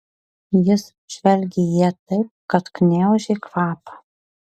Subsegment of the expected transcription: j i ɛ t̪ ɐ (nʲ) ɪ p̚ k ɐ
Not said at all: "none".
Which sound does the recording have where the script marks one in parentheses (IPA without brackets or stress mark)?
none